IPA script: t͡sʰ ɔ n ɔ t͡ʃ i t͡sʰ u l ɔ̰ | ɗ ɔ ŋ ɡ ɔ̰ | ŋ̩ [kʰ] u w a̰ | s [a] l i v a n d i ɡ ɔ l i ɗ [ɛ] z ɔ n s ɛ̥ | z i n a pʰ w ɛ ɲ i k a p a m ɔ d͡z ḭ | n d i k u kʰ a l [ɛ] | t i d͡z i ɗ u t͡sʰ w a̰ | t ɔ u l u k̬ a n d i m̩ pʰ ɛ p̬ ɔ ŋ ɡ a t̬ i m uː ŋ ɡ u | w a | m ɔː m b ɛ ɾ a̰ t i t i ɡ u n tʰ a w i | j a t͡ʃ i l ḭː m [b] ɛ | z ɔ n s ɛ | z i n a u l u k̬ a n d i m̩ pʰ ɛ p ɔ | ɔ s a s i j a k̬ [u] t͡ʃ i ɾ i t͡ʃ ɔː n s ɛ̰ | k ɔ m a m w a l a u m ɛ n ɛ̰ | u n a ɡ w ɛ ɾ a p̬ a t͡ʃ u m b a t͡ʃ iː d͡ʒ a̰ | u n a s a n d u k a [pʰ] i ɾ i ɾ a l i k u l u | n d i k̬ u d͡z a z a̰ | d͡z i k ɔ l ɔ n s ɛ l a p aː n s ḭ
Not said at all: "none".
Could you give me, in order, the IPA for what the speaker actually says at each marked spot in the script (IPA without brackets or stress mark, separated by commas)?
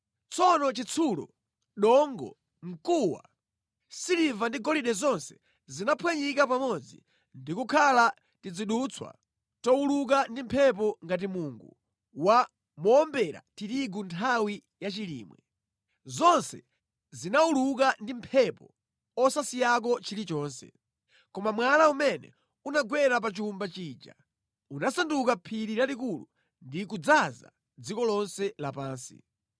k, i, ɛ, a, w, ɔ, pʰ